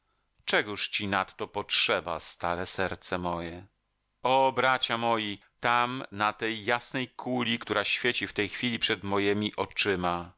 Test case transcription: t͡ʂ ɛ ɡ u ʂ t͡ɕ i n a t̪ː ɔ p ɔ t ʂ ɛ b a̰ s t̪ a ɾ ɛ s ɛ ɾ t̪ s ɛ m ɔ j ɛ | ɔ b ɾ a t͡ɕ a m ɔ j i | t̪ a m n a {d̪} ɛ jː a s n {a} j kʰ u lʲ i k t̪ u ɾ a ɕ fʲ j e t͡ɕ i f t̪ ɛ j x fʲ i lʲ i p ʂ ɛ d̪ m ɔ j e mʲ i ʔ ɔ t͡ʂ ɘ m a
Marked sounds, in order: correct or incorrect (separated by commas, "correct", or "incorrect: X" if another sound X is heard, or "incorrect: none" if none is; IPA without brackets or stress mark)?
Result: incorrect: t̪, incorrect: ɛ